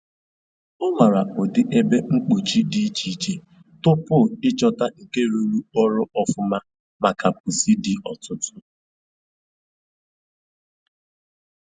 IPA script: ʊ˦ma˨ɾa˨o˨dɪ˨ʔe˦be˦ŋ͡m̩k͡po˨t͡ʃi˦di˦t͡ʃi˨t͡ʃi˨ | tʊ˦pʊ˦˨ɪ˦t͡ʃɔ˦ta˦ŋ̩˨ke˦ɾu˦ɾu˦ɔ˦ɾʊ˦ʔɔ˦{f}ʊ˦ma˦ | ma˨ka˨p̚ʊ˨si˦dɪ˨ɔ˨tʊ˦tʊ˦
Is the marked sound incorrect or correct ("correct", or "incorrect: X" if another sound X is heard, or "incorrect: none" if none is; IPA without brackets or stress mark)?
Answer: correct